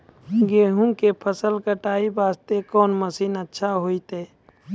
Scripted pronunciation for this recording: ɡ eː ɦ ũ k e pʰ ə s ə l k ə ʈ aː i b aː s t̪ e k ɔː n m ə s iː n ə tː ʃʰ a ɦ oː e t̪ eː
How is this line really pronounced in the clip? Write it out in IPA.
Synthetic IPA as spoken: ɡ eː ɦ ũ k e pʰ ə s ə l k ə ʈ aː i b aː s t̪ e k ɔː n m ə s iː n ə tː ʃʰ a ɦ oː i t̪ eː